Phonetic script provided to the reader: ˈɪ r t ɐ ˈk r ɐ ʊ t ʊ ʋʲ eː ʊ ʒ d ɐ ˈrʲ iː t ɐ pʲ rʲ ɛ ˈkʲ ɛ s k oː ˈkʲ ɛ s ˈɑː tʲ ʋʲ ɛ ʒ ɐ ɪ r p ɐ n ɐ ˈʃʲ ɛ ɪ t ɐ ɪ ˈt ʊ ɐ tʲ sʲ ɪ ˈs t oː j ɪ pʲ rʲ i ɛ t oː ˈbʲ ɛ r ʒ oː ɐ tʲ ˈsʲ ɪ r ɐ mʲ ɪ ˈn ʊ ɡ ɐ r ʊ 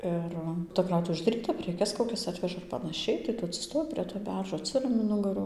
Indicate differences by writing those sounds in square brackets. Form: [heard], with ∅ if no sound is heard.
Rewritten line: ˈɪ r t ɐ ˈk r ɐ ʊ t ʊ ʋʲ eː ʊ ʒ d ɐ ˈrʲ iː t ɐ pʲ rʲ ɛ ˈkʲ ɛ s k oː ˈkʲ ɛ s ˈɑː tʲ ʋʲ ɛ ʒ ɐ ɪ r p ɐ n ɐ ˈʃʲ ɛ ɪ t ɐ ɪ ˈt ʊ ɐ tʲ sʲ ɪ ˈs t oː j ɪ pʲ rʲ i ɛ t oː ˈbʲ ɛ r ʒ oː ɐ tʲ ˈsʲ ɪ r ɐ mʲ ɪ ˈn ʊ ɡ ɐ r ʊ